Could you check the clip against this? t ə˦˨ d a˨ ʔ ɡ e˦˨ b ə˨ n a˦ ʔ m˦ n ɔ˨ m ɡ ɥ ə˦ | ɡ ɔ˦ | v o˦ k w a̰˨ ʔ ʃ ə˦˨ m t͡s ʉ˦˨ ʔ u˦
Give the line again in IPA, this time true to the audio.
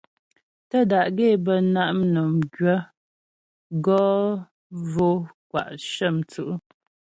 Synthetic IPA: t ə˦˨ d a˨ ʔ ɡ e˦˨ b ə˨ n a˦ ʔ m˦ n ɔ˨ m ɡ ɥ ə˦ | ɡ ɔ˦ | v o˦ k w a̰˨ ʔ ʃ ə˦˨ m t͡s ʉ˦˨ ʔ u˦

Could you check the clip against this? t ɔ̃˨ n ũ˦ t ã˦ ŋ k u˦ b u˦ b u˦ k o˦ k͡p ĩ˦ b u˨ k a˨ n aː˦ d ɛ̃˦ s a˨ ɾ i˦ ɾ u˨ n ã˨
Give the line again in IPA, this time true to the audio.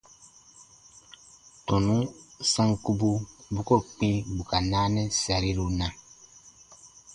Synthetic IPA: t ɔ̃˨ n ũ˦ s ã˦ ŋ k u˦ b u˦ b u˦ k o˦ k͡p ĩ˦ b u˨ k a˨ n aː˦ n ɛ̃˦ s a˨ ɾ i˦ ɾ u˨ n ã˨

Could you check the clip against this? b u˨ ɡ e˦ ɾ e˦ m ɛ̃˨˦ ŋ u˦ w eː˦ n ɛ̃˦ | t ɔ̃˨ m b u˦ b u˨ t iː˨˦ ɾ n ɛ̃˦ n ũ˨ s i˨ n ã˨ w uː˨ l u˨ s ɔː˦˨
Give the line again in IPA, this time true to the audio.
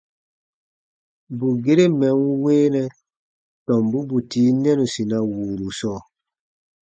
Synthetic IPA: b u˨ ɡ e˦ ɾ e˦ m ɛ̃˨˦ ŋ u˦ w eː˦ n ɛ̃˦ | t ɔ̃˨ m b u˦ b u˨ t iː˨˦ n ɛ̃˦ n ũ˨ s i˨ n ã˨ w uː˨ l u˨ s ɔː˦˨

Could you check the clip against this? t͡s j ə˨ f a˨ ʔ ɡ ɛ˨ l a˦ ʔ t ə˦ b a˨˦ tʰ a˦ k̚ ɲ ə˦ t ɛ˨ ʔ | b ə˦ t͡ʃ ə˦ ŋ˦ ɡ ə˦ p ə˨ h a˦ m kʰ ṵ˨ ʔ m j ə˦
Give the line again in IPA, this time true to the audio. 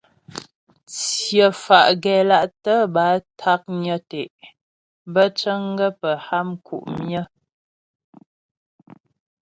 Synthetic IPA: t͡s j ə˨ f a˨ ʔ ɡ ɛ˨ l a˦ ʔ t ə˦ b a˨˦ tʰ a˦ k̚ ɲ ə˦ t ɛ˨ ʔ | b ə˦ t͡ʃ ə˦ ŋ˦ ɡ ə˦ p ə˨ h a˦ m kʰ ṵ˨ ʔ m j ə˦

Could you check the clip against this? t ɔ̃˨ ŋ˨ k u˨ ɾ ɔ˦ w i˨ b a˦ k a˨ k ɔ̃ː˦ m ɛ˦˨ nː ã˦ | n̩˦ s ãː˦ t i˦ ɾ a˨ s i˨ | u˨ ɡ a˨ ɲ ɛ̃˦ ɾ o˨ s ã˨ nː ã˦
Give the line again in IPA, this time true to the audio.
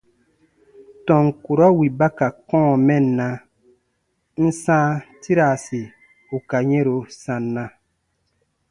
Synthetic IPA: t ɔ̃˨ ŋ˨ k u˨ ɾ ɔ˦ w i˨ b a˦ k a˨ k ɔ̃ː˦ m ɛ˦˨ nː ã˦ | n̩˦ s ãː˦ t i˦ ɾ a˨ s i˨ | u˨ k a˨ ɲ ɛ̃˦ ɾ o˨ s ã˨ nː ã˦

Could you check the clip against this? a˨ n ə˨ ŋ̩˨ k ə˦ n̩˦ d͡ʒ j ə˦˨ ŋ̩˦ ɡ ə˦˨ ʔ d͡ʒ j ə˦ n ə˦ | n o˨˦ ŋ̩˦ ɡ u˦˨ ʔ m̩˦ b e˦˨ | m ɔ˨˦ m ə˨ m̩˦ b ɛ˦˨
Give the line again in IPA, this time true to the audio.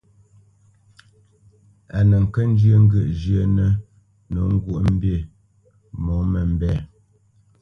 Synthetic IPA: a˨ n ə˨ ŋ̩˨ k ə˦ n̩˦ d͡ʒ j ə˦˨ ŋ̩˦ ɡ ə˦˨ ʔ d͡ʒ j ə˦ n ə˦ | n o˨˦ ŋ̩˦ ɡ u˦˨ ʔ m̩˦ b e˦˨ | m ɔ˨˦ m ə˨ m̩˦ b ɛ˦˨

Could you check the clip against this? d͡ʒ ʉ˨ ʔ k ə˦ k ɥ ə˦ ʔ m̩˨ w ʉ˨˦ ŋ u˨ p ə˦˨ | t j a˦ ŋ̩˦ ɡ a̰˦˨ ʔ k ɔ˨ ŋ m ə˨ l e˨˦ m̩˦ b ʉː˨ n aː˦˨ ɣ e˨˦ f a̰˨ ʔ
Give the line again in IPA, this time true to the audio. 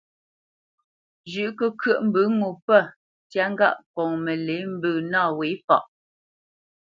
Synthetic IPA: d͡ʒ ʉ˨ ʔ k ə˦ k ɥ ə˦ ʔ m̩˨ b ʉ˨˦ ŋ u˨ p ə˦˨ | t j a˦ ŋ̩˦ ɡ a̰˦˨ ʔ k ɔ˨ ŋ m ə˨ l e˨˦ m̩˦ b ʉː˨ n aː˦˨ w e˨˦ f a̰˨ ʔ

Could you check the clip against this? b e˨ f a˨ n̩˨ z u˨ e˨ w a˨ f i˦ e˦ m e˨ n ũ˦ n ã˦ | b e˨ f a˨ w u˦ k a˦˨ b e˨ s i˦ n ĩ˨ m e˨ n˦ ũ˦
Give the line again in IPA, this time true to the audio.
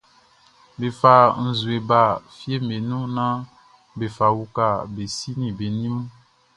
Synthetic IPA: b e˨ f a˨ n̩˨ z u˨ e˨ b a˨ f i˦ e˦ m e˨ n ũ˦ n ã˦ | b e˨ f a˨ w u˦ k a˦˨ b e˨ s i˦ n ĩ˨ b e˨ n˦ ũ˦

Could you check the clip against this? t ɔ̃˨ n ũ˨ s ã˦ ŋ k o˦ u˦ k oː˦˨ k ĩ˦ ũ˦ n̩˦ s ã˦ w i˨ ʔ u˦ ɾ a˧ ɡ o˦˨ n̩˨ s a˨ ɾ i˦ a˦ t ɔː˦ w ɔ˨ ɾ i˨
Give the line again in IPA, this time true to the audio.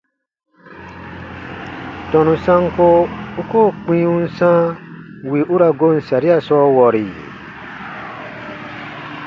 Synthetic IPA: t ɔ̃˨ n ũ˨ s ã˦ ŋ k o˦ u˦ k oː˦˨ k͡p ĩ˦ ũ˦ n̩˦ s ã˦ w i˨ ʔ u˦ ɾ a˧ ɡ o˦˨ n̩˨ s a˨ ɾ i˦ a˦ s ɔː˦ w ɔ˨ ɾ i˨

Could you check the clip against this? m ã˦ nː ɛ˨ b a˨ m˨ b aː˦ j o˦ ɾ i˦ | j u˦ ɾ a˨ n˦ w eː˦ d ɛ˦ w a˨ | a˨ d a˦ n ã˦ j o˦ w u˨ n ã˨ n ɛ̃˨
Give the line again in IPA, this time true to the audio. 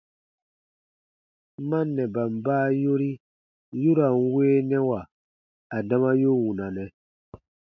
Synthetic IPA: m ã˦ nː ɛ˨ b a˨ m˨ b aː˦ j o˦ ɾ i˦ | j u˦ ɾ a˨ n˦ w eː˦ n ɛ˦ w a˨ | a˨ d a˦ m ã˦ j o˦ w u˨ n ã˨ n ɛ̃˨

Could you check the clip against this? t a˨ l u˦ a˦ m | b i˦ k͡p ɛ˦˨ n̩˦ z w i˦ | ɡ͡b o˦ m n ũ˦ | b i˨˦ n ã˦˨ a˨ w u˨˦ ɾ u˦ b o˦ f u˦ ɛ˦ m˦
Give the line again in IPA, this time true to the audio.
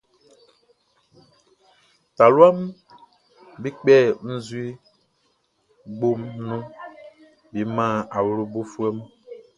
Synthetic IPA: t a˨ l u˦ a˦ m | b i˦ k͡p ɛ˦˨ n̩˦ z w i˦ | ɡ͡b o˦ m n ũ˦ | b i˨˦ m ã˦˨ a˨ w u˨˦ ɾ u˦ b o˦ f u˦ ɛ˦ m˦

